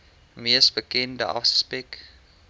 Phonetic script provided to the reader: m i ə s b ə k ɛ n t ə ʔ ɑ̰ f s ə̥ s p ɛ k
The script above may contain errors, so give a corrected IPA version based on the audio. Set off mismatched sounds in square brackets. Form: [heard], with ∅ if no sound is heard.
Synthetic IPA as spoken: m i ə s b ə k ɛ n [d] ə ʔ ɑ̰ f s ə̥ s p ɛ k